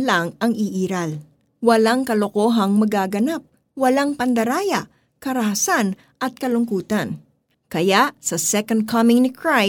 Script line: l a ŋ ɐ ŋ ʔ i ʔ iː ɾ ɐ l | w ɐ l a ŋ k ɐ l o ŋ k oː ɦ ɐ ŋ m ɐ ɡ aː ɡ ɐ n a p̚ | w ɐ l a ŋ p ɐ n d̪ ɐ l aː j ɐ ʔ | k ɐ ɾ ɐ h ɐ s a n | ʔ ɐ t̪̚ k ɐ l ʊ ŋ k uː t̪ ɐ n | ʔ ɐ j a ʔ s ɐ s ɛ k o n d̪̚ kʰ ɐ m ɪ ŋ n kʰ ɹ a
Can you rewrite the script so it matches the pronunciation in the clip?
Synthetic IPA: l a ŋ ɐ ŋ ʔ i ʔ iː ɾ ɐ l | w ɐ l a ŋ k ɐ l o k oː ɦ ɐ ŋ m ɐ ɡ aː ɡ ɐ n a p̚ | w ɐ l a ŋ p ɐ n d̪ ɐ ɾ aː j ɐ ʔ | k ɐ ɾ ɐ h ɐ s a n | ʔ ɐ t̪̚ k ɐ l ʊ ŋ k uː t̪ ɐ n | k ɐ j a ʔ s ɐ s ɛ k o n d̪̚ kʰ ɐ m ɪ ŋ n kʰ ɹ a